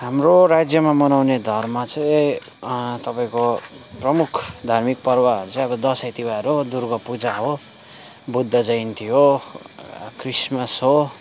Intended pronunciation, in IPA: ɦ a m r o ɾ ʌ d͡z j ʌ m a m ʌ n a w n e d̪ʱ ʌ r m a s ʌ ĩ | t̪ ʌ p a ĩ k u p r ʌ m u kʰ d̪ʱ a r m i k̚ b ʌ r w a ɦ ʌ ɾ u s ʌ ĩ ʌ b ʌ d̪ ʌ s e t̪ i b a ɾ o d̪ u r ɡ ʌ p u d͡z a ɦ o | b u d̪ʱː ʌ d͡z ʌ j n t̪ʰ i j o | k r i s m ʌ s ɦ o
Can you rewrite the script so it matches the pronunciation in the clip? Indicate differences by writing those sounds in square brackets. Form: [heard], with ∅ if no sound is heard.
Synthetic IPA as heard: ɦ a m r o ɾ [a] d͡z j ʌ m a m ʌ n a w n e d̪ʱ ʌ r m a [t͡s] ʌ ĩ | t̪ ʌ p a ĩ k [o] p r ʌ m u kʰ d̪ʱ a r m i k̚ [p] ʌ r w a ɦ ʌ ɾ u [t͡s] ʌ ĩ ʌ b ʌ d̪ ʌ s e t̪ i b a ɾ o d̪ u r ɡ ʌ p u d͡z a ɦ o | b u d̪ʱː ʌ d͡z ʌ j n t̪ʰ i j o | k r i s m ʌ s ɦ o